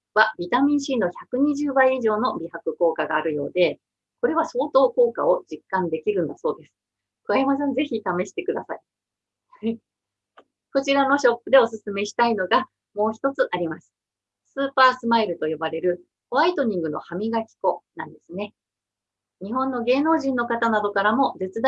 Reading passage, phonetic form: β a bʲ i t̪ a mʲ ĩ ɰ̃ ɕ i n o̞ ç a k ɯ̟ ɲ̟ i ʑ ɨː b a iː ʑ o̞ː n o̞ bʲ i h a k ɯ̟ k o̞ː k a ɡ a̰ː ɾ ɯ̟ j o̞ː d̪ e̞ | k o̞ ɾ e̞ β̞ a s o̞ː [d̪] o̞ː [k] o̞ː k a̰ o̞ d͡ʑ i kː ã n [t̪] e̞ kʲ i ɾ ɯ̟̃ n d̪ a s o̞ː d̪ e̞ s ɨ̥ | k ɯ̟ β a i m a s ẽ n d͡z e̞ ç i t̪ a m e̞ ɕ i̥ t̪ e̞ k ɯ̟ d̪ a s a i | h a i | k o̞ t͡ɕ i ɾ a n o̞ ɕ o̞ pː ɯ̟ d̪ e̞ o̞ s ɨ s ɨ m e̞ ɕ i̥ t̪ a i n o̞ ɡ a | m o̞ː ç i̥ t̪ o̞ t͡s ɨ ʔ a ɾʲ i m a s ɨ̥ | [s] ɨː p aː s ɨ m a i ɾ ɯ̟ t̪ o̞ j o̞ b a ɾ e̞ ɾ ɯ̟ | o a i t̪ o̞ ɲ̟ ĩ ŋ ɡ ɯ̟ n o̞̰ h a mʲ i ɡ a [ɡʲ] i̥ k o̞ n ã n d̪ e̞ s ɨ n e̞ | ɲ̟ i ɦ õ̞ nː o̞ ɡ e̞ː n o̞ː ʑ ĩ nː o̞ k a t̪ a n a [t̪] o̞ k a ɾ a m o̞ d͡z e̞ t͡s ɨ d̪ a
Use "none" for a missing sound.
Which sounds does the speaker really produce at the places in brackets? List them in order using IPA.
t̪, k, d̪, s, kʲ, d̪

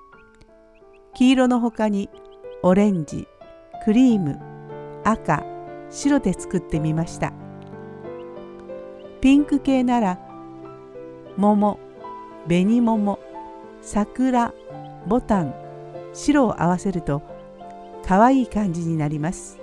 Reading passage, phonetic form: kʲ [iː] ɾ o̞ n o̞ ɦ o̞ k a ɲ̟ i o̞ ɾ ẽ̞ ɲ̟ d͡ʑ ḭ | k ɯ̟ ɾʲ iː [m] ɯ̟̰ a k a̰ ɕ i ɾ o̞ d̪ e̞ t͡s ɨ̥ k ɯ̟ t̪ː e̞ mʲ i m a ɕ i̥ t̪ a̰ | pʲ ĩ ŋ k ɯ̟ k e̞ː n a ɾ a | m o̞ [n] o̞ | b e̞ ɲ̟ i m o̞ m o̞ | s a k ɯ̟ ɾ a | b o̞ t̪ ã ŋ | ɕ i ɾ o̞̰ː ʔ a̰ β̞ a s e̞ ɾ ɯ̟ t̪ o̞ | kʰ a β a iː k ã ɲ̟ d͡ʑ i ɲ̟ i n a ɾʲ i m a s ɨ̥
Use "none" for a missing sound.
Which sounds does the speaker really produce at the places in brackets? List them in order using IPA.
iː, m, m

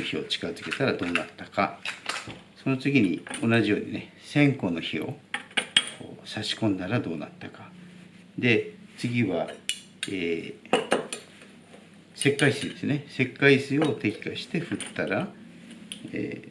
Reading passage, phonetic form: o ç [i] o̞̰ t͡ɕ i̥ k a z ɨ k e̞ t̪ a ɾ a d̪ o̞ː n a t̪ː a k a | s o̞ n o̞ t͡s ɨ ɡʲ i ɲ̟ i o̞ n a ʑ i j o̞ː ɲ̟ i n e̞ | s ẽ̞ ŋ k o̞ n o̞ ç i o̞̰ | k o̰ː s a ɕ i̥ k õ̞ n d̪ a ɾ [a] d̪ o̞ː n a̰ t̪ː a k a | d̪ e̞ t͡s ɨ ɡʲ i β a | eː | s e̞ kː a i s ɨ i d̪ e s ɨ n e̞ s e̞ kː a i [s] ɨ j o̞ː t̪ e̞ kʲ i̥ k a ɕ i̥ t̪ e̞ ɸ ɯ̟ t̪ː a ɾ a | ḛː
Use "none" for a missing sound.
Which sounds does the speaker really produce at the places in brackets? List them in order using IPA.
i, a, s

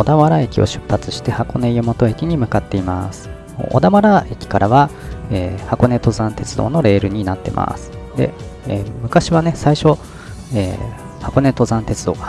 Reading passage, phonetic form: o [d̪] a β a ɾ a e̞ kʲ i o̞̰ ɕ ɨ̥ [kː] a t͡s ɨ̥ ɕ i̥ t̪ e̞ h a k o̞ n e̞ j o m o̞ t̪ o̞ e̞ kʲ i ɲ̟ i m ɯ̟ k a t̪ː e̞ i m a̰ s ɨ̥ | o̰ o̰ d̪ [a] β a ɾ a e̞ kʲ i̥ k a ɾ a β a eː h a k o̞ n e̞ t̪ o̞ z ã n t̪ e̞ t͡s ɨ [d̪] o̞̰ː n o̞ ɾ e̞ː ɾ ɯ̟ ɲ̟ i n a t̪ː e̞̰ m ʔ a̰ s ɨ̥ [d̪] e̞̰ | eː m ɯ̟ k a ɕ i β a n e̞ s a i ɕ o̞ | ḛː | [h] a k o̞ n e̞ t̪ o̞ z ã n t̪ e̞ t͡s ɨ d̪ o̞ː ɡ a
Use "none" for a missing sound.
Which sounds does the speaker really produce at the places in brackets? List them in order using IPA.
d̪, pː, a, d̪, d̪, h

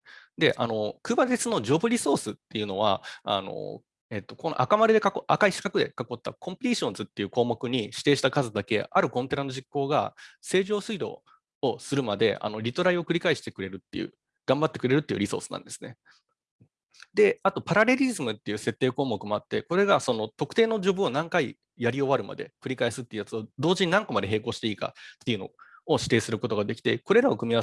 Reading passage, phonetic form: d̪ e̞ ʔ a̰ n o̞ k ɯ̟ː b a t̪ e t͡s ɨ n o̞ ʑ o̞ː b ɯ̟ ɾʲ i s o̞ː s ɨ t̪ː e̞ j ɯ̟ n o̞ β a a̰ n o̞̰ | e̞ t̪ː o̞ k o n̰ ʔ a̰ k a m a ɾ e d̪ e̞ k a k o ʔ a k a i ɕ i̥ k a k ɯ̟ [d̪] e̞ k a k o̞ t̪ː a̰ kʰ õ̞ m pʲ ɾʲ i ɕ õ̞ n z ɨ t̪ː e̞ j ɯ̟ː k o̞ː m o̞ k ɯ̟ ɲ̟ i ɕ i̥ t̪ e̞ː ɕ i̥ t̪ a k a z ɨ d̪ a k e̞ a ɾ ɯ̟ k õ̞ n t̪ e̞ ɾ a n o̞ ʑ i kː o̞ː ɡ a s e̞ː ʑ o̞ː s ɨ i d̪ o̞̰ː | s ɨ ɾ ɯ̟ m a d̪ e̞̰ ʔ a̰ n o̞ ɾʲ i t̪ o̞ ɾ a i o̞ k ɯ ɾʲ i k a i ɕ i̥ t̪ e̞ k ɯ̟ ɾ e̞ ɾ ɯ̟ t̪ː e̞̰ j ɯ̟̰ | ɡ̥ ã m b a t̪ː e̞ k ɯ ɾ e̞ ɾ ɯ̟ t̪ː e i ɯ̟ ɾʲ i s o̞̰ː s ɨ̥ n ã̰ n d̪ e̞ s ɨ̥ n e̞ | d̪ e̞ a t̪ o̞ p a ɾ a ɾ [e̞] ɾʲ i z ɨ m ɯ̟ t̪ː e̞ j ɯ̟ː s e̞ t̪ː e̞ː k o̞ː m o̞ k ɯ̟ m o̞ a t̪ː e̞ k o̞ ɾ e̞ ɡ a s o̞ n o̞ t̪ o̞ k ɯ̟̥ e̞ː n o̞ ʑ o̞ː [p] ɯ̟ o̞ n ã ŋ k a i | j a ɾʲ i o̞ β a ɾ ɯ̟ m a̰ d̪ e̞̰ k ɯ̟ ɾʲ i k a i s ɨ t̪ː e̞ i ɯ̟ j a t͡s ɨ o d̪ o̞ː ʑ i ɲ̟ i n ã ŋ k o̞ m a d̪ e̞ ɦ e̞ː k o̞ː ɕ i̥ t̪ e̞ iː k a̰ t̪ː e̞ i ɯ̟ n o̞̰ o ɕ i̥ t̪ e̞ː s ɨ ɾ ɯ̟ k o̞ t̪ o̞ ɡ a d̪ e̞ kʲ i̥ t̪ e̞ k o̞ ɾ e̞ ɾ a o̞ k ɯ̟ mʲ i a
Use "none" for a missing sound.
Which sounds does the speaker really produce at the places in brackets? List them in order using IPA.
d̪, e̞, b

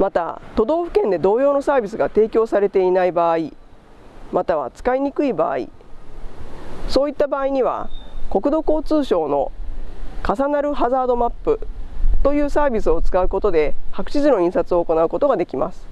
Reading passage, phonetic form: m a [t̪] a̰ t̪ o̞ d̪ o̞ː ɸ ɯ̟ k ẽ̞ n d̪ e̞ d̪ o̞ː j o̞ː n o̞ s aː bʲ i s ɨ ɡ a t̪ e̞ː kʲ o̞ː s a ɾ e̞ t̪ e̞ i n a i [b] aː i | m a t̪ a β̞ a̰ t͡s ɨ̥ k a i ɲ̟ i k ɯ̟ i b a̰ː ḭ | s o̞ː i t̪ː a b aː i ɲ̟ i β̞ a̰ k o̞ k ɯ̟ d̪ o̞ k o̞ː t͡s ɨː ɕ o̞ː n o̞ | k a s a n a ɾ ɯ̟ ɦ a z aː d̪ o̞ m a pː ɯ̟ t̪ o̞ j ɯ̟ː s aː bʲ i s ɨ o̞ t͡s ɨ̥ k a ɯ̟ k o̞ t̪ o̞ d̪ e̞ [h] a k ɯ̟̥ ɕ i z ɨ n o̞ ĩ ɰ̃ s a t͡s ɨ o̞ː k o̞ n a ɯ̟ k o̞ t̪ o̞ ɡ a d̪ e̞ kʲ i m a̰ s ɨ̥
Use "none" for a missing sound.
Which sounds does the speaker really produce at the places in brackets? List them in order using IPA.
t̪, b, h

